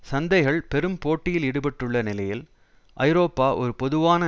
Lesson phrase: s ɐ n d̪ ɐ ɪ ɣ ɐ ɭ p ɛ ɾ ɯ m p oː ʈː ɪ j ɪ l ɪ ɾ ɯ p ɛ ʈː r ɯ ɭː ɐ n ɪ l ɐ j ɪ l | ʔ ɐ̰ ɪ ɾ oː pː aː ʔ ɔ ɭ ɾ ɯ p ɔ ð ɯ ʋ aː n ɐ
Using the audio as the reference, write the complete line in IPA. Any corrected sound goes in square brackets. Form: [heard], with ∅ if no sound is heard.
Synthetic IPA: s ɐ n d̪ ɐ ɪ ɣ ɐ ɭ p ɛ ɾ ɯ m p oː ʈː ɪ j ɪ l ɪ [ɽ] ɯ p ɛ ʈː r ɯ ɭː ɐ n ɪ l ɐ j ɪ l | ʔ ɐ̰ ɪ ɾ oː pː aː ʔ ɔ [∅] ɾ ɯ p ɔ ð ɯ ʋ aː n ɐ

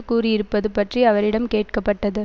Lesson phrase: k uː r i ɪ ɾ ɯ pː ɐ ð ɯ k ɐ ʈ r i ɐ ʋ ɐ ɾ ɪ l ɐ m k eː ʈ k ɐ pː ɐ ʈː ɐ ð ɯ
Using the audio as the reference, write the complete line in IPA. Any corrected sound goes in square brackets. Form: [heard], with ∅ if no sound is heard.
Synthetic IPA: k uː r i ɪ ɾ ɯ pː ɐ ð ɯ [p] ɐ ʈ r i ɐ ʋ ɐ ɾ ɪ [ɽ] ɐ m k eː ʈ k ɐ pː ɐ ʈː ɐ ð ɯ

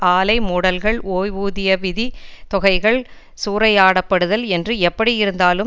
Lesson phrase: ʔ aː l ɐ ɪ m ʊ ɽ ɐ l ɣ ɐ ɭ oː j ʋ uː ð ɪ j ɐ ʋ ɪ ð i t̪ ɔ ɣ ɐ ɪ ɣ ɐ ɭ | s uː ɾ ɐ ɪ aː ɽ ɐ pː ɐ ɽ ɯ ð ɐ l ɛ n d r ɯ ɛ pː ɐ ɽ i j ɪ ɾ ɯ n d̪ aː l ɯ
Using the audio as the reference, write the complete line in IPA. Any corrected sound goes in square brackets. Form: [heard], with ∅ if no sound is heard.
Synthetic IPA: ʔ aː l ɐ ɪ m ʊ ɽ ɐ l ɣ ɐ ɭ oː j ʋ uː ð ɪ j ɐ ʋ ɪ ð i t̪ ɔ ɣ ɐ ɪ ɣ ɐ ɭ | s uː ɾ ɐ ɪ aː ɽ ɐ pː ɐ ɽ ɯ ð ɐ l ɛ n d r ɯ ɛ pː ɐ ɽ i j ɪ ɾ ɯ n d̪ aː l ɯ

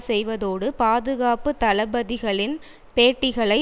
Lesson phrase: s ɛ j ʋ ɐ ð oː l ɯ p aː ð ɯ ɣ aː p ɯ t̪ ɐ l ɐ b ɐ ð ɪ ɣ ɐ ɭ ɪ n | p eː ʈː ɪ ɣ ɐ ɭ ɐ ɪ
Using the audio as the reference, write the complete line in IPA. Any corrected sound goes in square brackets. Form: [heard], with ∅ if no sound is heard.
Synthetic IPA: s ɛ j ʋ ɐ ð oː [ɽ] ɯ p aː ð ɯ ɣ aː p ɯ t̪ ɐ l ɐ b ɐ ð ɪ ɣ ɐ ɭ ɪ n | p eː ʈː ɪ ɣ ɐ ɭ ɐ ɪ

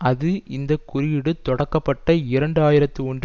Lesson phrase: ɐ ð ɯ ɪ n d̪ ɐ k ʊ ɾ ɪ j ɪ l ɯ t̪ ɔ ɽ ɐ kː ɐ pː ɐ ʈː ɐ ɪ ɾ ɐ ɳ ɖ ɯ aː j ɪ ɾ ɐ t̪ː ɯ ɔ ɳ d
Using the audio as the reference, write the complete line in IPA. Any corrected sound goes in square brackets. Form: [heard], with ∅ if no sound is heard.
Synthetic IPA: ɐ ð ɯ ɪ n d̪ ɐ k ʊ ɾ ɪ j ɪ [ɽ] ɯ t̪ ɔ ɽ ɐ kː ɐ pː ɐ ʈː ɐ ɪ ɾ ɐ ɳ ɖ ɯ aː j ɪ ɾ ɐ t̪ː ɯ ɔ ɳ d

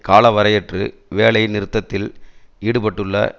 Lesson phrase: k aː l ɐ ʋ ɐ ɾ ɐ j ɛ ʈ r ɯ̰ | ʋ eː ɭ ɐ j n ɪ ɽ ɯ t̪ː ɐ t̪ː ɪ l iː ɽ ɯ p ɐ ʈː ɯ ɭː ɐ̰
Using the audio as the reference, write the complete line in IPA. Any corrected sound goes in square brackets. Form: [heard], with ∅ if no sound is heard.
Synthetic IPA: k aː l ɐ ʋ ɐ ɾ ɐ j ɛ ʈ r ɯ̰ | ʋ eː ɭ ɐ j n ɪ [ɾ] ɯ t̪ː ɐ t̪ː ɪ l iː ɽ ɯ p ɐ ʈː ɯ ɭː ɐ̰

